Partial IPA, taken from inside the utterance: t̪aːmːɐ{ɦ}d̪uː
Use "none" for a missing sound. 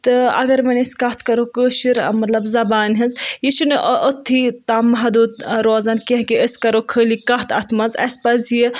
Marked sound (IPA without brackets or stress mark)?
ɦ